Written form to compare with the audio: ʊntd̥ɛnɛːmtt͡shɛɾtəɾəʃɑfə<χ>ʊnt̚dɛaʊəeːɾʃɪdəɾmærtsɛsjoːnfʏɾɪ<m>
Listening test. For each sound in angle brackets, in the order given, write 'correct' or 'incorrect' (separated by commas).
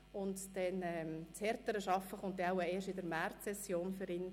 correct, incorrect